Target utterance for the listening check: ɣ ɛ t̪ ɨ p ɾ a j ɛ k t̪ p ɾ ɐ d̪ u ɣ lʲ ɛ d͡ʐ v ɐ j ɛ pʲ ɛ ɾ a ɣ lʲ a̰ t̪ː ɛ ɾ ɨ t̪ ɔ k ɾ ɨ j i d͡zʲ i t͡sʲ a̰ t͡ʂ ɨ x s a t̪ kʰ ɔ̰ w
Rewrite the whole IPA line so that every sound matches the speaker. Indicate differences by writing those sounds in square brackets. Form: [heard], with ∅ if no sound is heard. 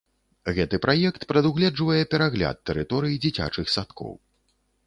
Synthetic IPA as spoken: ɣ ɛ t̪ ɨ p ɾ a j ɛ k t̪ p ɾ ɐ d̪ u ɣ lʲ ɛ d͡ʐ v ɐ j ɛ pʲ ɛ ɾ a ɣ lʲ a̰ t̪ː ɛ ɾ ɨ t̪ ɔ [∅] ɾ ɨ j i d͡zʲ i t͡sʲ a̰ t͡ʂ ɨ x s a t̪ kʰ ɔ̰ w